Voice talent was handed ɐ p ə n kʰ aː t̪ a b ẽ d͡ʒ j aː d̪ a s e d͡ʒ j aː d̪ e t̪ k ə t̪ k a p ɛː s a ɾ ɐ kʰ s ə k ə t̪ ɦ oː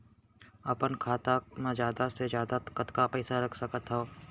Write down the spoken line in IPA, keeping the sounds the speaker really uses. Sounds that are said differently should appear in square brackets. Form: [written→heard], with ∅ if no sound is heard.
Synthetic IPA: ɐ p ə n kʰ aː t̪ a [b→m] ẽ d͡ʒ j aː d̪ a s e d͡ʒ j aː d̪ [e→a] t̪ k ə t̪ k a p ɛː s a ɾ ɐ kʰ s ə k ə t̪ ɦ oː